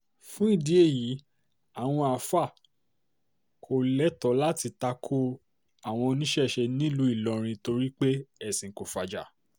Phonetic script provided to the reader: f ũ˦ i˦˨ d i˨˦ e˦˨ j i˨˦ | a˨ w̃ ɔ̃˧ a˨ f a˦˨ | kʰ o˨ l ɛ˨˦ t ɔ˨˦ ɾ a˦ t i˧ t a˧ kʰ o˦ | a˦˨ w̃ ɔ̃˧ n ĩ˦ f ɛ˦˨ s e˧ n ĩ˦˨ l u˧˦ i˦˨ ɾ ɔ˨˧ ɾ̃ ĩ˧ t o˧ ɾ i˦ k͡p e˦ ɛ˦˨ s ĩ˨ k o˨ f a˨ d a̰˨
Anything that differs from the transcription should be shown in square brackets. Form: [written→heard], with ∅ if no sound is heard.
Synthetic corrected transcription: f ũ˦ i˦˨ d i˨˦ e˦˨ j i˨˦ | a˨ w̃ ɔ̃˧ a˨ f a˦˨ | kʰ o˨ l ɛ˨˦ t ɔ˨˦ [ɾ→l] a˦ t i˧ t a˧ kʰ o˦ | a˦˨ w̃ ɔ̃˧ n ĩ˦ [f→ʃ] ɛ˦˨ [s→ʃ] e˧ n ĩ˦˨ l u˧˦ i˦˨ [ɾ→l] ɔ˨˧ ɾ̃ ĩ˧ t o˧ ɾ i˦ k͡p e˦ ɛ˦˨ s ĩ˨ k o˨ f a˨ [d→d͡ʒ] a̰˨